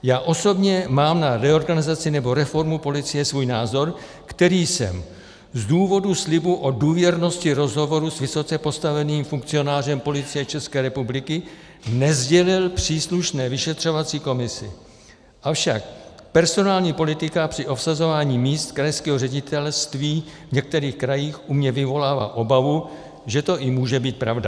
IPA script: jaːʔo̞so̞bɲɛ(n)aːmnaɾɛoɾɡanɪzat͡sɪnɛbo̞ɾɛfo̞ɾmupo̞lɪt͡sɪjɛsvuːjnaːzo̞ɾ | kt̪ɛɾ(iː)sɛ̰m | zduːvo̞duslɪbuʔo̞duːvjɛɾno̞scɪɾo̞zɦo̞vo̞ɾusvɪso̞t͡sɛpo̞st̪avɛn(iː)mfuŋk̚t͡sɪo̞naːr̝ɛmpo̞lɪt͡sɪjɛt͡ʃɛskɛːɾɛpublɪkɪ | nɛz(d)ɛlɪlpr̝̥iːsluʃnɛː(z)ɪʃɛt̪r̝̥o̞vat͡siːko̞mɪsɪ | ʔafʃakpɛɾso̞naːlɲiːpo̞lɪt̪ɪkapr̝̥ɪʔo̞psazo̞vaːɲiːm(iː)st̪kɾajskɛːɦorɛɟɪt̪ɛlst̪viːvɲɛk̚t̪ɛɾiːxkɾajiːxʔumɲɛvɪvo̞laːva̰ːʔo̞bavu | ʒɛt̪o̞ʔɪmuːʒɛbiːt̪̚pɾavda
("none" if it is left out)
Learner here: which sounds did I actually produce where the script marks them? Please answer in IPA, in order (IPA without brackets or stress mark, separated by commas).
m, iː, iː, ɟ, v, iː